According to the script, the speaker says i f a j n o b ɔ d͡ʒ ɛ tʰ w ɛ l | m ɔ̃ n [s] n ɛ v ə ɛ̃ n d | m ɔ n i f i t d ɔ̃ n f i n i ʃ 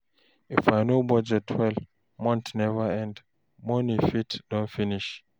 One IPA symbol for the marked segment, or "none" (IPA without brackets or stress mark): t